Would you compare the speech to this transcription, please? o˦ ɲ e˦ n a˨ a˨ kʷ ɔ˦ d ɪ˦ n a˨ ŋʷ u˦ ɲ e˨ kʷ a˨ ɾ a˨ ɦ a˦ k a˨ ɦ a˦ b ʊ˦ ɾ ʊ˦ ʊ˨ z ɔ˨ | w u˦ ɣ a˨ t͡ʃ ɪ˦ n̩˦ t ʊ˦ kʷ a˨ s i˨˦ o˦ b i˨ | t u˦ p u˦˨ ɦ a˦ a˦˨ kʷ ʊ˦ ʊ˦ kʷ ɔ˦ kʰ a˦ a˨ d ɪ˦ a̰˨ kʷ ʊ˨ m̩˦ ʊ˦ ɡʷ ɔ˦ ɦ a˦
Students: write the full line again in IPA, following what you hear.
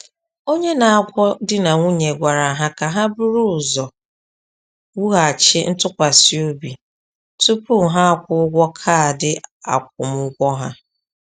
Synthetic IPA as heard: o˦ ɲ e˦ n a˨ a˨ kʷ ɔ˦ d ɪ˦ n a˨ ŋʷ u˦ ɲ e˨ ɡʷ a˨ ɾ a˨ ɦ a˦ k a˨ ɦ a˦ b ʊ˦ ɾ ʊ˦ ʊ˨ z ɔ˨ | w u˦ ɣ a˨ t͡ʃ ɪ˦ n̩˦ t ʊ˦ kʷ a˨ s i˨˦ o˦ b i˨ | t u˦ p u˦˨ ɦ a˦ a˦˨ kʷ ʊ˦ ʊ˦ ɡʷ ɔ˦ kʰ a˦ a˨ d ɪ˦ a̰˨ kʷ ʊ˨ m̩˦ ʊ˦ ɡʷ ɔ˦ ɦ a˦